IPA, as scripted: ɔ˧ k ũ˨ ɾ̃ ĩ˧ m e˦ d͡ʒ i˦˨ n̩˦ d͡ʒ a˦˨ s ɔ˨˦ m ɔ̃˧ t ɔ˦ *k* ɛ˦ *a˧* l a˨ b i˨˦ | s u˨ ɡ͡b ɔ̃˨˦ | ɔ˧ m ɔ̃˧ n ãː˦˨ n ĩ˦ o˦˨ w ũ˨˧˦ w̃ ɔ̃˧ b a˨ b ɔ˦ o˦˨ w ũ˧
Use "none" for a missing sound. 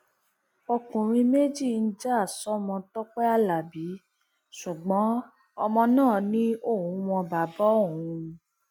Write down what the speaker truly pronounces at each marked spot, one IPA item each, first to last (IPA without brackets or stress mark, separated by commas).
k͡p, a˧